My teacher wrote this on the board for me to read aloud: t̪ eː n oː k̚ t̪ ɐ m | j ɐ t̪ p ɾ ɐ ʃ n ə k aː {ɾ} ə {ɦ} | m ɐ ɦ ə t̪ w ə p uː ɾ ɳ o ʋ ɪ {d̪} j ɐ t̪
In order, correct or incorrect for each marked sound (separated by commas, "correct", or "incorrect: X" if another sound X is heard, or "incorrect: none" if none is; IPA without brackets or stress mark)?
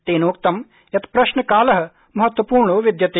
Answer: incorrect: l, correct, correct